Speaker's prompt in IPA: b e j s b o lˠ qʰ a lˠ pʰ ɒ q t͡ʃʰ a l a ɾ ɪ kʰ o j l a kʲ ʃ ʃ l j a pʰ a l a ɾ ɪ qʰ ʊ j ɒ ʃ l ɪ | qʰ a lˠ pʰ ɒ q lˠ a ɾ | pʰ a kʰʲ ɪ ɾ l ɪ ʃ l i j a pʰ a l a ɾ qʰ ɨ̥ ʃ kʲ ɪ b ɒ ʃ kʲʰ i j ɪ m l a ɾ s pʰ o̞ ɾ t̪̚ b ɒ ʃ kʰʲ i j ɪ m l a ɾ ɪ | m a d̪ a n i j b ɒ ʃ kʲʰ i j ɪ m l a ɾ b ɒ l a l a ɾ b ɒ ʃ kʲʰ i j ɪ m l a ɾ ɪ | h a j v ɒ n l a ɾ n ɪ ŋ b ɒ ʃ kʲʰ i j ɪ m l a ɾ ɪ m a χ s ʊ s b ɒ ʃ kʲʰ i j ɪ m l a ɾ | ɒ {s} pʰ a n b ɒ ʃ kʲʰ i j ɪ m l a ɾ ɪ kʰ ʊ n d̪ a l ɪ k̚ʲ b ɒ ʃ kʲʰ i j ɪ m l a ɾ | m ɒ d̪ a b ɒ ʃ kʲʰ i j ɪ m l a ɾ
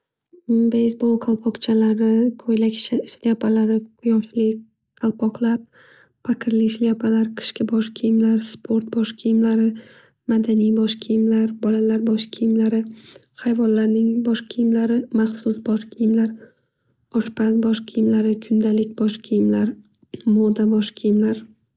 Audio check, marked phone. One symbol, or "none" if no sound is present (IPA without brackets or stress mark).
ʃ